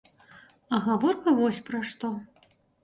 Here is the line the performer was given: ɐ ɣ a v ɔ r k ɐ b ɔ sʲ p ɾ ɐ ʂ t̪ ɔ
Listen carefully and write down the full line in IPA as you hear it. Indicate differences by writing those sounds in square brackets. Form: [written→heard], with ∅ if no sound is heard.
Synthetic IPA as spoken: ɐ ɣ a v ɔ r k ɐ [b→v] ɔ sʲ p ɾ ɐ ʂ t̪ ɔ